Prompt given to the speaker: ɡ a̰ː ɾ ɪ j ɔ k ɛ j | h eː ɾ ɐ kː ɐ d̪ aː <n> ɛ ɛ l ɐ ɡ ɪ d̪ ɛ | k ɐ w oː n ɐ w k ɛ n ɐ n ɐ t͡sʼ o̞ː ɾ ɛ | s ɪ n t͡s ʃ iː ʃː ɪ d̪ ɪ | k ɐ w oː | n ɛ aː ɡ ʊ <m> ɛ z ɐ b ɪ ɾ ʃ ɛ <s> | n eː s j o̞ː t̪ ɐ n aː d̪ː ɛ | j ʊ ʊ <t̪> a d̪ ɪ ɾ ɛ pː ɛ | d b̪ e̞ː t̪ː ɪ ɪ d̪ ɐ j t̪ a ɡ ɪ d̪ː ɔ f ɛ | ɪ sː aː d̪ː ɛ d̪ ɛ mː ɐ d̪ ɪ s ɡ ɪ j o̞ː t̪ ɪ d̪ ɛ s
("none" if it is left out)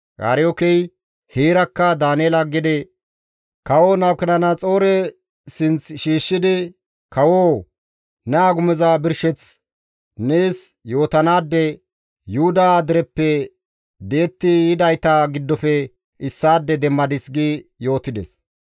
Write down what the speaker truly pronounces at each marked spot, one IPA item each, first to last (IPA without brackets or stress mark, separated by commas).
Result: n, m, t͡s, d̪